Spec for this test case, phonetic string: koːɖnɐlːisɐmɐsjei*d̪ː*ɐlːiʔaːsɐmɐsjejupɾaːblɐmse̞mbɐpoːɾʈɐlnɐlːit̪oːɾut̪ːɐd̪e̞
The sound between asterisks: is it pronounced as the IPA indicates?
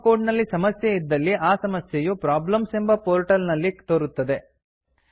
yes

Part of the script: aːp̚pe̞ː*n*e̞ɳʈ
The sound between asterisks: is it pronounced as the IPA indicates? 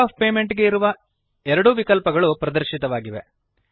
no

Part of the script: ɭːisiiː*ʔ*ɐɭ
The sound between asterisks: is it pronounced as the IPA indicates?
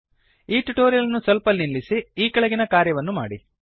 no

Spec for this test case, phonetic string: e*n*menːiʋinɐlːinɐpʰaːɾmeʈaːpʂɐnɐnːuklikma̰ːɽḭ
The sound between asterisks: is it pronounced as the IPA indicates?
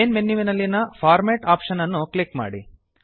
yes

